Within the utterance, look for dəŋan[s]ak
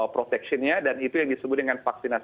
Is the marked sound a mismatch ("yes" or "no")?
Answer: yes